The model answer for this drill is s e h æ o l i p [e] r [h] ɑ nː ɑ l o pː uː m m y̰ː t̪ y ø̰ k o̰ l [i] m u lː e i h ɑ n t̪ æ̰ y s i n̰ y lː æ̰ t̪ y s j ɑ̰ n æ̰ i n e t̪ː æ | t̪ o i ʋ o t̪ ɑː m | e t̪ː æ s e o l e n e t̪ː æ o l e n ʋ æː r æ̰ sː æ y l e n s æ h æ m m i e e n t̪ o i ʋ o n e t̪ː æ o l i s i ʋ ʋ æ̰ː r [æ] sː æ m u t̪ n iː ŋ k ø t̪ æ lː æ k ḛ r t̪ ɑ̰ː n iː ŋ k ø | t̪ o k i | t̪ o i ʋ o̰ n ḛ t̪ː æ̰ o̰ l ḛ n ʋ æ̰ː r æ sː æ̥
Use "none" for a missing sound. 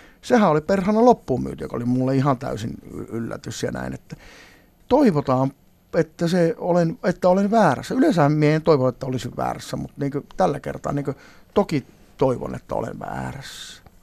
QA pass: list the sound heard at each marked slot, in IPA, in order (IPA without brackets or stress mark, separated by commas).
e, h, i, æ